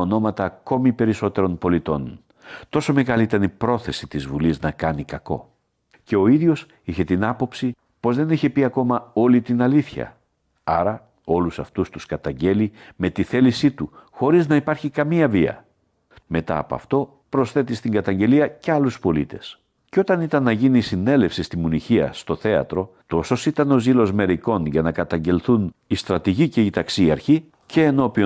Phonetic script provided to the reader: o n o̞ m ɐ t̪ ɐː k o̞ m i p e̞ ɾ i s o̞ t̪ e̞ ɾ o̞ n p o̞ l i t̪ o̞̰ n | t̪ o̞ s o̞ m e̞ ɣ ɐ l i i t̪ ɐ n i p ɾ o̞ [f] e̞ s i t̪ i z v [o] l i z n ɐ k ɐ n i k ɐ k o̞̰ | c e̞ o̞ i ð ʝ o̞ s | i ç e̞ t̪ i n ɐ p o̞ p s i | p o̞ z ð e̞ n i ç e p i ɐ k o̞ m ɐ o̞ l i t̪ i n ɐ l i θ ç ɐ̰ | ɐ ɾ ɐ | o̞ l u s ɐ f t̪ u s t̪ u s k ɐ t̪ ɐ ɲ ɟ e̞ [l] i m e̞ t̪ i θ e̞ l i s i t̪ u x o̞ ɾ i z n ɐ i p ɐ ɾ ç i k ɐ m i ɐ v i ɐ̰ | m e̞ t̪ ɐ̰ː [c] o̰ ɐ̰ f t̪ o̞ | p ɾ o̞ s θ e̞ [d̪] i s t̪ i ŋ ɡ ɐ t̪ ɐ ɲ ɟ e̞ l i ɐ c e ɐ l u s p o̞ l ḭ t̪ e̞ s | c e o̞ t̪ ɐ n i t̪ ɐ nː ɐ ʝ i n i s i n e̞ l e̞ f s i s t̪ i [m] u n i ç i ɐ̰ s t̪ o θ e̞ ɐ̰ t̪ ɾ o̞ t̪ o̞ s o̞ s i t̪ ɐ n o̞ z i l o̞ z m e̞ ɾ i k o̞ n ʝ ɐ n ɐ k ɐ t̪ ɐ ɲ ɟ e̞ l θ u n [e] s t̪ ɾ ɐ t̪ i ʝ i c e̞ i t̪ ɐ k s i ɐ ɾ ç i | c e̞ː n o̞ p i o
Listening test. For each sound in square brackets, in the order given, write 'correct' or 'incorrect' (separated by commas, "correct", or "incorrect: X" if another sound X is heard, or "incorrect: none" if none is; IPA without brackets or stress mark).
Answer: incorrect: θ, incorrect: u, correct, incorrect: p, incorrect: t̪, correct, incorrect: i